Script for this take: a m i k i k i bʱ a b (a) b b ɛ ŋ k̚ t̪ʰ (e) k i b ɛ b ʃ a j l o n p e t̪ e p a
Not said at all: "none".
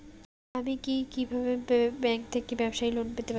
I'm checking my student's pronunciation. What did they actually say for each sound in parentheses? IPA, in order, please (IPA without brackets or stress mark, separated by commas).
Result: e, e